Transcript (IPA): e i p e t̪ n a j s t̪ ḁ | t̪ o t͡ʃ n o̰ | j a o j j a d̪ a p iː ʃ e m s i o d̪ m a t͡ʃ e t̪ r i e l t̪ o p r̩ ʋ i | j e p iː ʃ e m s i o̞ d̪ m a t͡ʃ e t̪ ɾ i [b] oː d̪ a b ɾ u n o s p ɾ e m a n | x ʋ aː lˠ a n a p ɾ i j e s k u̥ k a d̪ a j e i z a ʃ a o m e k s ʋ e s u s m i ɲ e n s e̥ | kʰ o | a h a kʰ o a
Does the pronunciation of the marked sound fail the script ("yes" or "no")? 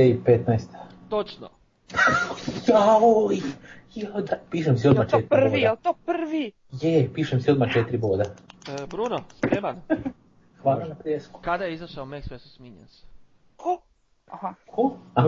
no